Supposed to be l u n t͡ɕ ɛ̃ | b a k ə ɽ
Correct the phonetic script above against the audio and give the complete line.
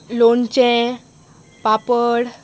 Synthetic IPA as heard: l o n t͡ɕ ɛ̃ | p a p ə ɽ

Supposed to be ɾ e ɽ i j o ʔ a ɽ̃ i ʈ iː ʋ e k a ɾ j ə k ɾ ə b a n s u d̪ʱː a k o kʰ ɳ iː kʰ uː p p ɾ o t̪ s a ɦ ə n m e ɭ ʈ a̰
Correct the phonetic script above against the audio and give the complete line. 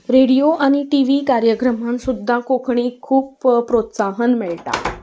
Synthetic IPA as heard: ɾ e ɽ i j o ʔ a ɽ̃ i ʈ i ʋ i k a ɾ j ə k ɾ ə m a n s u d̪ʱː a k o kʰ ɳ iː kʰ uː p p ɾ o t̪ s a ɦ ə n m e ɭ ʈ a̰

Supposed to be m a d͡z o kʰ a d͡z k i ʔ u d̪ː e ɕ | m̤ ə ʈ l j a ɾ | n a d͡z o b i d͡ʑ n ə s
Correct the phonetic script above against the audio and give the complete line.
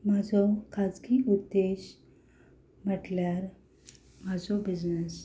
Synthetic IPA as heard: m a d͡z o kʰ a d͡z k i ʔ u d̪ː e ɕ | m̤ ə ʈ l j a ɾ | m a d͡z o b i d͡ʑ n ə s

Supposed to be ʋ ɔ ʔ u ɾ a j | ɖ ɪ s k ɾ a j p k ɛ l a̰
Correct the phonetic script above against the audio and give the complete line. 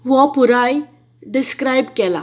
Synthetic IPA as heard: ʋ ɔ p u ɾ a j | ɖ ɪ s k ɾ a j b k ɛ l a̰

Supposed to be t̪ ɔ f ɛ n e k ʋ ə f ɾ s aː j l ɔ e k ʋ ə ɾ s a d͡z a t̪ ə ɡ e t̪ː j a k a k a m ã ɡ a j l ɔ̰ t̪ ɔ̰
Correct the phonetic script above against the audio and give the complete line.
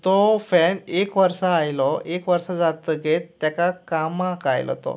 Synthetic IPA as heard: t̪ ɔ f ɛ n e k ʋ ə ɾ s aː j l ɔ e k ʋ ə ɾ s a d͡z a t̪ ə ɡ e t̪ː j a k a k a m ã k a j l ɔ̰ t̪ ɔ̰

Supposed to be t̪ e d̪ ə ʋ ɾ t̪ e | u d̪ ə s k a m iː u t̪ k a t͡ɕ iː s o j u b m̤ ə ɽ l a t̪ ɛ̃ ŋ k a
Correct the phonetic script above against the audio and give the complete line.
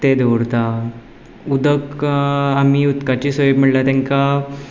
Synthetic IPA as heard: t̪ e d̪ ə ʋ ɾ t̪ a | u d̪ ə k a m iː u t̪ k a t͡ɕ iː s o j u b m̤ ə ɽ l a t̪ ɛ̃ ŋ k a

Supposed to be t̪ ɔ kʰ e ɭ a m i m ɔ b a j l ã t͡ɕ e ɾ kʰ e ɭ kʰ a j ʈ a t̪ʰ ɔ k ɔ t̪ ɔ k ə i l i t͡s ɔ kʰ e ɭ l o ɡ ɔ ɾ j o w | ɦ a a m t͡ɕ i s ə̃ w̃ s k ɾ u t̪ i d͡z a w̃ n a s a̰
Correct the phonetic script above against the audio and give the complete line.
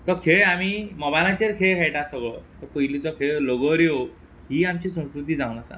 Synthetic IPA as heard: t̪ ɔ kʰ e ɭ a m i m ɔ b a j l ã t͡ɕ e ɾ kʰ e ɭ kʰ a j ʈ a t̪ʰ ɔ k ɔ t̪ ɔ p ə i l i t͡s ɔ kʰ e ɭ l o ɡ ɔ ɾ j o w | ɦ i a m t͡ɕ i s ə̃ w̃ s k ɾ u t̪ i d͡z a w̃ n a s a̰

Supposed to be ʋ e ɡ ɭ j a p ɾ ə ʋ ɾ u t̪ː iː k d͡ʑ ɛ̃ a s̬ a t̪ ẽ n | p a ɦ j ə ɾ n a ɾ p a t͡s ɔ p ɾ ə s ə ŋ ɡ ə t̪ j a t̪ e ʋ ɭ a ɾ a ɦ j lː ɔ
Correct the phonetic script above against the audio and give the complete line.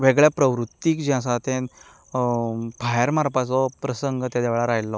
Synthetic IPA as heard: ʋ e ɡ ɭ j a p ɾ ə ʋ ɾ u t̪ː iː k d͡ʑ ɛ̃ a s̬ a t̪ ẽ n | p a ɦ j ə ɾ m a ɾ p a t͡s ɔ p ɾ ə s ə ŋ ɡ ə t̪ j a d̪ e ʋ ɭ a ɾ a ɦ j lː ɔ

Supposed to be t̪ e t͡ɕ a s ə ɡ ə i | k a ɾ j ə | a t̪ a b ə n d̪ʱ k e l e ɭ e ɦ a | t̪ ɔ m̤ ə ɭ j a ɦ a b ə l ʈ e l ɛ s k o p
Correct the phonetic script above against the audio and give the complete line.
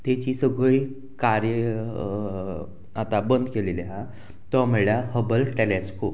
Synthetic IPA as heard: t̪ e t͡ɕ i s ə ɡ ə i | k a ɾ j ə | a t̪ a b ə n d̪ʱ k e l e l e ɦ a | t̪ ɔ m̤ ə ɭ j a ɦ ə b ə l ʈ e l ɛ s k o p

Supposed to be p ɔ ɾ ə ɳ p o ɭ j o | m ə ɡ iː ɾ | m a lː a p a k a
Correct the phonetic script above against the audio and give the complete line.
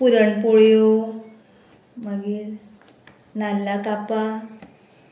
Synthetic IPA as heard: p u ɾ ə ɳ p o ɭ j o | m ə ɡ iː ɾ | n a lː a k a p a

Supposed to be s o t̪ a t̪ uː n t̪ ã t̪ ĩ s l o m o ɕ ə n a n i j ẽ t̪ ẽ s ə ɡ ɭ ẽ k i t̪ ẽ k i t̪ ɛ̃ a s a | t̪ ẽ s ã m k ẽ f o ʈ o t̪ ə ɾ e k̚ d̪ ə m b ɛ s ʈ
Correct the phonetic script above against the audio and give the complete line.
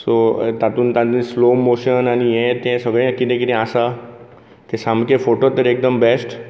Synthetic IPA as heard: s o t̪ a t̪ uː n t̪ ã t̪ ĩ s l o m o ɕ ə n a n i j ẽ t̪ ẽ s ə ɡ ɭ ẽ k i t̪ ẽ k i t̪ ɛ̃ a s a | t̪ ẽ s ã m k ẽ f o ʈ o t̪ ə ɾ e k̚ d̪ ə m b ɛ s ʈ

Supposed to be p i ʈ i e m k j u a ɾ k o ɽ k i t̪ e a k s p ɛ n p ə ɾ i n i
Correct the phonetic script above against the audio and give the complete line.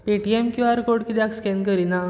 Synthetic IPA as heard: p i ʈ i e m k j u a ɾ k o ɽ k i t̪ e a k s k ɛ n k ə ɾ i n a

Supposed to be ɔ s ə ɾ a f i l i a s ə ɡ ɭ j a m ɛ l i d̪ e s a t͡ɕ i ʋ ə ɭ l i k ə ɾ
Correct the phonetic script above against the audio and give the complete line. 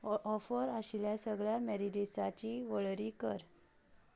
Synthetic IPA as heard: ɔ f ə ɾ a ɕ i l j a s ə ɡ ɭ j a m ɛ ɾ i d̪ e s a t͡ɕ i ʋ ə ɭ ɾ i k ə ɾ

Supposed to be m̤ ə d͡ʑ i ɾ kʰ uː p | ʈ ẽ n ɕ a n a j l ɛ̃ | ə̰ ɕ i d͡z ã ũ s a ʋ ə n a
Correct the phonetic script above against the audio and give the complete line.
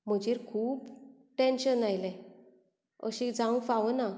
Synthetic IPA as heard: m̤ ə d͡ʑ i ɾ kʰ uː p | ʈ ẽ n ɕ ə n a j l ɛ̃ | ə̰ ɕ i d͡z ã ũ f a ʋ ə n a

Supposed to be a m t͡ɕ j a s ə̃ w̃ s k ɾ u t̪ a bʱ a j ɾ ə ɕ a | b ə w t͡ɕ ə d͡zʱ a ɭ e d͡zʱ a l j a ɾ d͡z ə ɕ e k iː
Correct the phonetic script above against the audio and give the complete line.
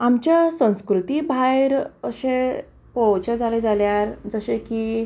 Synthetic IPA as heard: a m t͡ɕ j a s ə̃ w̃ s k ɾ u t̪ i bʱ a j ɾ ə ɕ e | p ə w t͡ɕ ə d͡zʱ a l e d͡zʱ a l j a ɾ d͡z ə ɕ e k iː

